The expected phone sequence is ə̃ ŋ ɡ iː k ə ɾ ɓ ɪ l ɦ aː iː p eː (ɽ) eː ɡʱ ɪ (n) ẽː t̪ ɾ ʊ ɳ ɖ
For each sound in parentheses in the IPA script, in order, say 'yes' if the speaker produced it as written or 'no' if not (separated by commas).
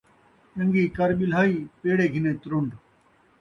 yes, yes